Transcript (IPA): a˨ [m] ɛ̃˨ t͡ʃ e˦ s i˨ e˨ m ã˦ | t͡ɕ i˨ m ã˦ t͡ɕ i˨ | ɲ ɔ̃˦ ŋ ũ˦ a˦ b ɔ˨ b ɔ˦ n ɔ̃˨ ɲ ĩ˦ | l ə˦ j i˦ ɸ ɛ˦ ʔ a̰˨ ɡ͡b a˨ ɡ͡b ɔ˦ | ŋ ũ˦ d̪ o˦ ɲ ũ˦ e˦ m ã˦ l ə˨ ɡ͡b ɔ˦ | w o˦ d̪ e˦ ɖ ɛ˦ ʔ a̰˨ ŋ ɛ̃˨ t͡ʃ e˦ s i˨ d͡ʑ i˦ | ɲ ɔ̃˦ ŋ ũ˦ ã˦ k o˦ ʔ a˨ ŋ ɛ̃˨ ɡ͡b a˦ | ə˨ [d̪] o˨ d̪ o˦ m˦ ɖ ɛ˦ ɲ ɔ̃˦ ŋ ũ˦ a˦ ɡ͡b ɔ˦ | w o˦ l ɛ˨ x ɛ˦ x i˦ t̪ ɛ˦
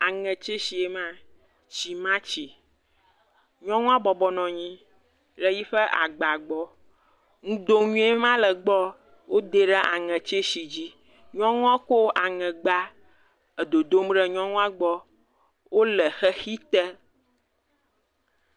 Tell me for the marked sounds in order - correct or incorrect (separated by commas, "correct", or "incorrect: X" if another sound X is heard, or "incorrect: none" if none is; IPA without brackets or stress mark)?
incorrect: ŋ, correct